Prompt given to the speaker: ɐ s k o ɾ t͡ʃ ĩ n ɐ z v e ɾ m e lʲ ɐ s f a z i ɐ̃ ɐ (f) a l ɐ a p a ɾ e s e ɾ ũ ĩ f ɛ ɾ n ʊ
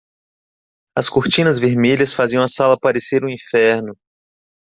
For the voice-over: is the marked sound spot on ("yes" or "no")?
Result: no